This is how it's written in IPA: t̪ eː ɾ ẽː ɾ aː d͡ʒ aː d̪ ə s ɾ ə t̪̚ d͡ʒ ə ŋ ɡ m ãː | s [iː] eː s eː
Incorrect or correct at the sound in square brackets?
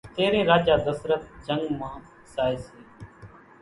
incorrect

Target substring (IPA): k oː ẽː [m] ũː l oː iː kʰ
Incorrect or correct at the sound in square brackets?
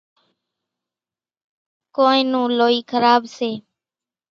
incorrect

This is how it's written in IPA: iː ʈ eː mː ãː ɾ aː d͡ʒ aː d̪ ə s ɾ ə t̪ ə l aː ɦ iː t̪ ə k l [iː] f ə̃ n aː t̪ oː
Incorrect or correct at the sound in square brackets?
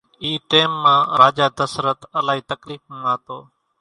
correct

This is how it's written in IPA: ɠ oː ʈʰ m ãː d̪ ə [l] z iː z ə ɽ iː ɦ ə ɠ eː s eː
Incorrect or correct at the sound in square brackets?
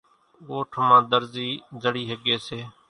incorrect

